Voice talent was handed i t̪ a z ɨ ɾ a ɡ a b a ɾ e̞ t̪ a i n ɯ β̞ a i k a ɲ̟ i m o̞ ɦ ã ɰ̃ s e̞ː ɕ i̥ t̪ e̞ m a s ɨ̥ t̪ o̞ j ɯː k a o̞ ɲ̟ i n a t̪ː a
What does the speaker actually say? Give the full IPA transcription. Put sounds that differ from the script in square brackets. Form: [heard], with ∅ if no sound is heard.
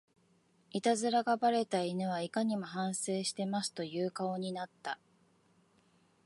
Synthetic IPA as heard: i t̪ a z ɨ ɾ a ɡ a b a ɾ e̞ t̪ a i n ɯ β̞ a i k a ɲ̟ i m o̞ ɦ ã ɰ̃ s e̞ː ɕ i̥ t̪ e̞ m a s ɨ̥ t̪ o̞ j ɯː k a o̞ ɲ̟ i n a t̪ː a